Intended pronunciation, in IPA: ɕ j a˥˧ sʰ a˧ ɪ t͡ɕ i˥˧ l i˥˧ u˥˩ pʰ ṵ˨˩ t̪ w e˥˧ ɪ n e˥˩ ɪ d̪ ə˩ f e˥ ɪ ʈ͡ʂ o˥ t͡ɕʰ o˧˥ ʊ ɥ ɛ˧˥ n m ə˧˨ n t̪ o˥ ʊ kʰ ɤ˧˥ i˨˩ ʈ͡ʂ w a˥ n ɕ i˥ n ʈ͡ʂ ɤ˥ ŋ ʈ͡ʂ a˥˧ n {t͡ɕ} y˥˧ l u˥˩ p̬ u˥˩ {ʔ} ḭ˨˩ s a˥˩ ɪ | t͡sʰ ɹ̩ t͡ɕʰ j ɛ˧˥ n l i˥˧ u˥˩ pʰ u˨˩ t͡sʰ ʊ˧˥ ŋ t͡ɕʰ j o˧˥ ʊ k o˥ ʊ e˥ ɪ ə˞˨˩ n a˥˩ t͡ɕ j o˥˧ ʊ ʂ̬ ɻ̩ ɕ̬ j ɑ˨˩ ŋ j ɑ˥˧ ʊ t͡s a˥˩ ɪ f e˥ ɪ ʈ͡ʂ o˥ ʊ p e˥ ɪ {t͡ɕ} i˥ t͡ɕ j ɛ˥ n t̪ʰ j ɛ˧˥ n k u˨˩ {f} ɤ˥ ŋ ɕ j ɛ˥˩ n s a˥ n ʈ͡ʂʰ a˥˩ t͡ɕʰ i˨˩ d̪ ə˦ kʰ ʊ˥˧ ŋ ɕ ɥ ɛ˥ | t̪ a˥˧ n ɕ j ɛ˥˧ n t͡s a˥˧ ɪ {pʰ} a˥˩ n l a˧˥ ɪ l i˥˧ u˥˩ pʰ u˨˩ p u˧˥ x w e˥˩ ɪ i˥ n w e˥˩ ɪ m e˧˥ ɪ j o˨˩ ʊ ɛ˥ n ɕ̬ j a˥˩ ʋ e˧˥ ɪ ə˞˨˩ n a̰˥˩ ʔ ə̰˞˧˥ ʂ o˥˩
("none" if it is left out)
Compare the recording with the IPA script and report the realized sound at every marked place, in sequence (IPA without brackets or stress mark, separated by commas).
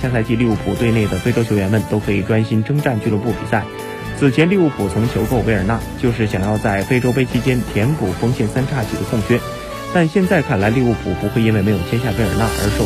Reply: t͡ɕ, p, t͡ɕʰ, f, kʰ